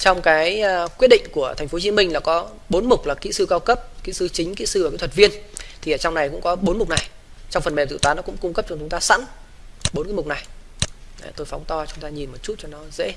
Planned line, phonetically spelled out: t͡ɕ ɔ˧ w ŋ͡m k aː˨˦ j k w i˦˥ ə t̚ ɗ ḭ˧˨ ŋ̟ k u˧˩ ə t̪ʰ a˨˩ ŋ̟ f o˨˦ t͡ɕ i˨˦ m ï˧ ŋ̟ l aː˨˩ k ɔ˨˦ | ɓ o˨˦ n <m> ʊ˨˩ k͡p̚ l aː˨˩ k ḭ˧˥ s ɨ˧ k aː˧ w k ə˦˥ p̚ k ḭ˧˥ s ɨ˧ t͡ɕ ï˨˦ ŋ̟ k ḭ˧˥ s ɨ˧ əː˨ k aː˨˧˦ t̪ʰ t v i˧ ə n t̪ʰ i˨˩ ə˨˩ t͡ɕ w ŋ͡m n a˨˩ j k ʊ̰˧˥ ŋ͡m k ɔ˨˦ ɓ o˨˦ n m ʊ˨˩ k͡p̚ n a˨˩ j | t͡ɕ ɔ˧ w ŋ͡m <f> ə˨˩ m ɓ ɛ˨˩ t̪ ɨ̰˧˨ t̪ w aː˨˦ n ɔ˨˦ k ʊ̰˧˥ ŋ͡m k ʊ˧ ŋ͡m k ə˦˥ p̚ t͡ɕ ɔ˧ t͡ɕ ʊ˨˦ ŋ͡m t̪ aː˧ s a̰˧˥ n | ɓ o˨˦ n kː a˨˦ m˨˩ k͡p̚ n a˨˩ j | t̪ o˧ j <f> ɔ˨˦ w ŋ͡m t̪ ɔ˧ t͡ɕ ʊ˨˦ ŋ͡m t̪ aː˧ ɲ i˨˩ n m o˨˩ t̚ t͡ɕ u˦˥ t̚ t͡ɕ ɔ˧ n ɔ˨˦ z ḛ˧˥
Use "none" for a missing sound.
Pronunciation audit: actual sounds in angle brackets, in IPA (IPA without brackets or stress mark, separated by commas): m, f, f